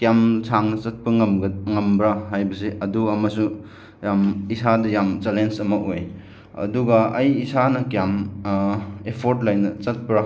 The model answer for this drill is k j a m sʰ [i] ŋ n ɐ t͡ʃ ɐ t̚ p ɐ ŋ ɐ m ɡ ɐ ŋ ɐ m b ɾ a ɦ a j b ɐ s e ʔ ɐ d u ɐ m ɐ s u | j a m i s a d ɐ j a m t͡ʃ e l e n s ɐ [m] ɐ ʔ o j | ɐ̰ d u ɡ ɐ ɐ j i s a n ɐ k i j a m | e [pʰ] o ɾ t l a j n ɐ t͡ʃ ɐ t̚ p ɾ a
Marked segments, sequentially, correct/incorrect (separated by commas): incorrect, correct, correct